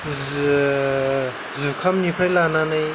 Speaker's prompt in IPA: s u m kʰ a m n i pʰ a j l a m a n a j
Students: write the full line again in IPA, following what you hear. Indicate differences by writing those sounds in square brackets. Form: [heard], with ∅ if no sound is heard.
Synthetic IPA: [z] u [∅] kʰ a m n i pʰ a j l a [n] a n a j